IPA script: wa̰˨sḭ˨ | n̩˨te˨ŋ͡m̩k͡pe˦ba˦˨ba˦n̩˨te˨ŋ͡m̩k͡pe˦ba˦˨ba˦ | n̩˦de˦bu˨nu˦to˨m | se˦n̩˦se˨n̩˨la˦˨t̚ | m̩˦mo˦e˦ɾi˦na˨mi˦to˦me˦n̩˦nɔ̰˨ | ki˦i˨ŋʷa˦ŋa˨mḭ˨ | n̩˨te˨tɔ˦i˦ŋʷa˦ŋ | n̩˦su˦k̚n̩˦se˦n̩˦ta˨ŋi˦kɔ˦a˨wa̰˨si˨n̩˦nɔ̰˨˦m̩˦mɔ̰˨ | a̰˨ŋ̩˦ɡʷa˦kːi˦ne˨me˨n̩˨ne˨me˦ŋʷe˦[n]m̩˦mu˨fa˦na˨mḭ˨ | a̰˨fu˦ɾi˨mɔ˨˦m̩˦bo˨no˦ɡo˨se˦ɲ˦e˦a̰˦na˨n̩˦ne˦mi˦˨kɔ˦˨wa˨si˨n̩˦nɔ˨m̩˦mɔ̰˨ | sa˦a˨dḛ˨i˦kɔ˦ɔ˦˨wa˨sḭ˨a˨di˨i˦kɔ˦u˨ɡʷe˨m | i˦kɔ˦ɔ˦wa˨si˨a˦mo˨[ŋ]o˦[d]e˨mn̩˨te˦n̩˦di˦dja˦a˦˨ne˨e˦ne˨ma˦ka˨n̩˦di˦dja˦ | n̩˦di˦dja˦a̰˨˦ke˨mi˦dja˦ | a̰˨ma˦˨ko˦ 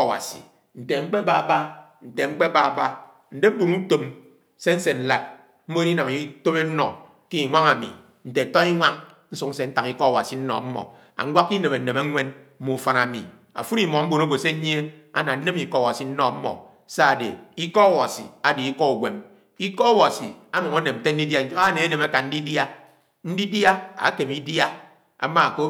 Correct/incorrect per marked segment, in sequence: correct, correct, incorrect: n

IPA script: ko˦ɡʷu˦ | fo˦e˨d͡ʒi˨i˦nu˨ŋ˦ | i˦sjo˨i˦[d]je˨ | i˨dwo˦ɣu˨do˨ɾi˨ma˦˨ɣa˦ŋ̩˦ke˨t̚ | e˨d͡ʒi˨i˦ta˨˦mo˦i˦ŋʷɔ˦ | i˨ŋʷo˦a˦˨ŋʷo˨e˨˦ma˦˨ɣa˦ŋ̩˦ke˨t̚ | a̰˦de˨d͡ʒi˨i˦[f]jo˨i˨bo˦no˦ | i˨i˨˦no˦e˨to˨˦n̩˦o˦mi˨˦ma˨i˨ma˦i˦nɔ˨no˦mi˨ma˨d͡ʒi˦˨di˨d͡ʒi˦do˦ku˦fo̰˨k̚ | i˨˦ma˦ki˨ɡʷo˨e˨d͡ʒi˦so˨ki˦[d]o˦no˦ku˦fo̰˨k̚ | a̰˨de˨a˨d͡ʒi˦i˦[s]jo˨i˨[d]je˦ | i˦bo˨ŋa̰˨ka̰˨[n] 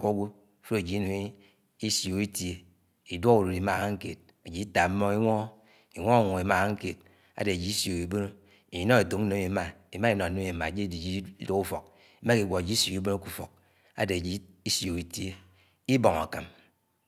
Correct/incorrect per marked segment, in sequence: incorrect: t, incorrect: s, incorrect: b, correct, incorrect: t, incorrect: m

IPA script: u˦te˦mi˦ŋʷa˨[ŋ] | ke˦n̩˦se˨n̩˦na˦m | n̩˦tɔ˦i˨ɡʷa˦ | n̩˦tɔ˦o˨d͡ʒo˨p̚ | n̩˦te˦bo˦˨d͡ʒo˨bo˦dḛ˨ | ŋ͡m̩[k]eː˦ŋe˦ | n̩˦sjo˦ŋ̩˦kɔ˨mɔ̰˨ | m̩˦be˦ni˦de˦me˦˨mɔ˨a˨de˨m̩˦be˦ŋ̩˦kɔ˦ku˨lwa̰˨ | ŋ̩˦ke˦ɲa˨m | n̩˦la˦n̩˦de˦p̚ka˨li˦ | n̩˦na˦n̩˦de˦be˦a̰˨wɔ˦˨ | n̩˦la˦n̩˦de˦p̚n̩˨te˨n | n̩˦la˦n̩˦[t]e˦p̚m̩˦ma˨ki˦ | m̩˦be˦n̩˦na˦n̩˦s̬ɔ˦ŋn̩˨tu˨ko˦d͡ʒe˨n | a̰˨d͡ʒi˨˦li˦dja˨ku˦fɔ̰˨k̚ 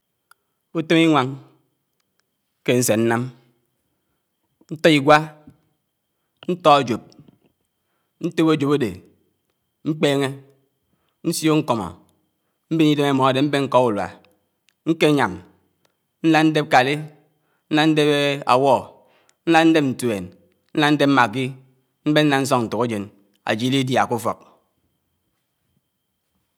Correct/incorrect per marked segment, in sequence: correct, incorrect: k͡p, incorrect: d

